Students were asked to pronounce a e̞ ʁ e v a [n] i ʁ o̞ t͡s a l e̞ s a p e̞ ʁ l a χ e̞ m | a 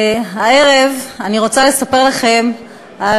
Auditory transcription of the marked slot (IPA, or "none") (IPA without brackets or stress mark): n